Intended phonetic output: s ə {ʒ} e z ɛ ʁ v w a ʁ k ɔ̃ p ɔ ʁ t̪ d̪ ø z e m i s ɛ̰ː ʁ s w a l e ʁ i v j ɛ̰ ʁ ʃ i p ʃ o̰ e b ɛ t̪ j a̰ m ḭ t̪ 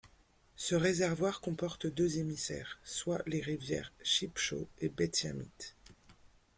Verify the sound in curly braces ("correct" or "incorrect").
incorrect